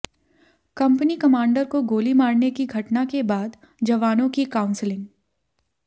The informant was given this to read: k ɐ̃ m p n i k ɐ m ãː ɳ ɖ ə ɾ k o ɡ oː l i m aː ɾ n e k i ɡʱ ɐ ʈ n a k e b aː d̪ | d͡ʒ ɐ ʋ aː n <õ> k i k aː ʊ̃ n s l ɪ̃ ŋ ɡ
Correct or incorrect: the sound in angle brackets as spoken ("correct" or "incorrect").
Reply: correct